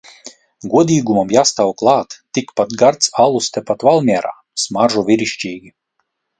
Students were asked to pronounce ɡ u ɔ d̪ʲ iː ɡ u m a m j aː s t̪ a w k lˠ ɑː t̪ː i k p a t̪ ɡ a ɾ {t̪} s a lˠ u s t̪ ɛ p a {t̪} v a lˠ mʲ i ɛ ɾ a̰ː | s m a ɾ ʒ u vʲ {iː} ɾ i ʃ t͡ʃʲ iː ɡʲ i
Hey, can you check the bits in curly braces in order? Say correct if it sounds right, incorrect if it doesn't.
correct, correct, incorrect

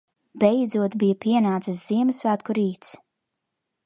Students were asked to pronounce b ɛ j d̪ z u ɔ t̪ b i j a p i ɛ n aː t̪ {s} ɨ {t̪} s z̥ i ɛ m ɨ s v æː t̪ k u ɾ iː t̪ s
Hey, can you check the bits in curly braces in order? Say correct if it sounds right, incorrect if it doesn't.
correct, incorrect

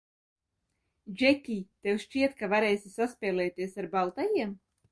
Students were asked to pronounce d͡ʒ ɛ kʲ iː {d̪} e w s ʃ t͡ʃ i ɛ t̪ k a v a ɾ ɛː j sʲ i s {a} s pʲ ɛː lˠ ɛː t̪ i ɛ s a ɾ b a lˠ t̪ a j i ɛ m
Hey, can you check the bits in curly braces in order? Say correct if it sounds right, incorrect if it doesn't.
incorrect, correct

